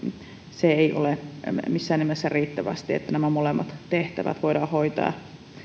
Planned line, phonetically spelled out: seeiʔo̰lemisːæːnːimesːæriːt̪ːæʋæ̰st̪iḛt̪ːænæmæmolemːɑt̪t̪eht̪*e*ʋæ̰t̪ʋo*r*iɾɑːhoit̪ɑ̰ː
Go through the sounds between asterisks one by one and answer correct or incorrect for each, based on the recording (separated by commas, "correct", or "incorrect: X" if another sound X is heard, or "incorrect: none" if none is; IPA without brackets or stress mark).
incorrect: æ, incorrect: none